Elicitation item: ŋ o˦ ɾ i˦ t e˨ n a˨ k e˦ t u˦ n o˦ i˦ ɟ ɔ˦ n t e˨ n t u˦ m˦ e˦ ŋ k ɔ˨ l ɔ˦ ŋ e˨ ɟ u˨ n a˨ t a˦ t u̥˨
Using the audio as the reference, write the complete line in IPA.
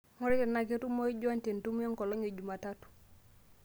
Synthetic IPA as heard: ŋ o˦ ɾ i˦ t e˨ n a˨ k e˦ t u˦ m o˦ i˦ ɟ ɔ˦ n t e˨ n t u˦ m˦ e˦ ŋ k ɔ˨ l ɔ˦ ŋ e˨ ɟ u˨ m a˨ t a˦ t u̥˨